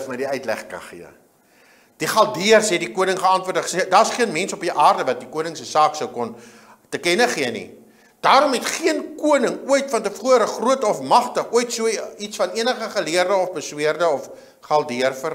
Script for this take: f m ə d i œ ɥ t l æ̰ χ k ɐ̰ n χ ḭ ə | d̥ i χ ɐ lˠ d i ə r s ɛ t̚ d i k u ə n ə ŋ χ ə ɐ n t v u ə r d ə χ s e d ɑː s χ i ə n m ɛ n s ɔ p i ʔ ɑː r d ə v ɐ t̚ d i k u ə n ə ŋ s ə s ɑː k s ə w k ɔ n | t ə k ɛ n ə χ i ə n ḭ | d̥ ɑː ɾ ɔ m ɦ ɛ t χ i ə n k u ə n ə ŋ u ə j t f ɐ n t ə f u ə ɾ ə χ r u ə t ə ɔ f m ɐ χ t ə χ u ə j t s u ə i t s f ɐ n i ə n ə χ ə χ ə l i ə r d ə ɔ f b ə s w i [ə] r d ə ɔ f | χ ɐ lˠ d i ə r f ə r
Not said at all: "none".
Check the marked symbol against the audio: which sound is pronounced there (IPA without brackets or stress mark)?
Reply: ə